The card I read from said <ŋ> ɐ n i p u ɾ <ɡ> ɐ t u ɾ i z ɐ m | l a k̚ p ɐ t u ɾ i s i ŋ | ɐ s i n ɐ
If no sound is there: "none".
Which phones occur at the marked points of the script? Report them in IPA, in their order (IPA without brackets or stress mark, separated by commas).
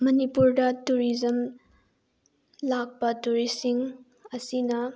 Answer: m, d